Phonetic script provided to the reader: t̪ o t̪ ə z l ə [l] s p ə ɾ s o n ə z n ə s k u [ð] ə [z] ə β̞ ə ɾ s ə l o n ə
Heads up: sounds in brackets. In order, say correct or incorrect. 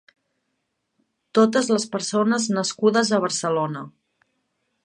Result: incorrect, correct, correct

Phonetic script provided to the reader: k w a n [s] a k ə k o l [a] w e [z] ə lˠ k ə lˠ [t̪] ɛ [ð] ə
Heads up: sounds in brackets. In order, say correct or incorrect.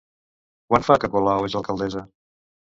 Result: incorrect, correct, correct, incorrect, incorrect

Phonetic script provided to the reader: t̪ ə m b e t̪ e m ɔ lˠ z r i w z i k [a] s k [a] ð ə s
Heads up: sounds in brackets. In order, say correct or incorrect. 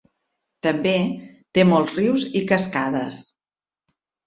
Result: incorrect, correct

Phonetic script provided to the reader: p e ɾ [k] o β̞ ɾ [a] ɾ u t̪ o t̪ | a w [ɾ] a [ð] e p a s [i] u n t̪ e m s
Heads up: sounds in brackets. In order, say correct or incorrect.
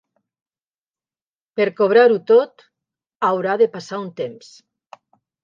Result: correct, correct, correct, correct, incorrect

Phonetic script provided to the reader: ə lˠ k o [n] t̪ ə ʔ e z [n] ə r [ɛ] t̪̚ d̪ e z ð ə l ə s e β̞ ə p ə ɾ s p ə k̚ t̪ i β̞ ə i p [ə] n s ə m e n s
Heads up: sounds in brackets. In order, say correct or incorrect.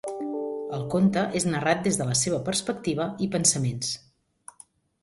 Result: correct, correct, incorrect, correct

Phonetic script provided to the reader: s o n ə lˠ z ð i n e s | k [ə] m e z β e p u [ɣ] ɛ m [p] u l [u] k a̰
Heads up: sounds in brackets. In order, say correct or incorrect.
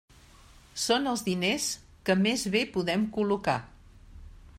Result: correct, incorrect, incorrect, correct

